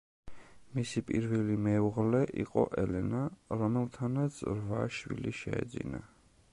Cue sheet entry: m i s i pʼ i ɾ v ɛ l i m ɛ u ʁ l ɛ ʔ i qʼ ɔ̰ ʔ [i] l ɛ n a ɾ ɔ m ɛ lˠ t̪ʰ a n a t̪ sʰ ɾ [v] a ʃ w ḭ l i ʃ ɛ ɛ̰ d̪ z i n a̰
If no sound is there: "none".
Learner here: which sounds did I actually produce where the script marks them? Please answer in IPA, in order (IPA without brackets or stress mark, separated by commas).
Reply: ɛ, v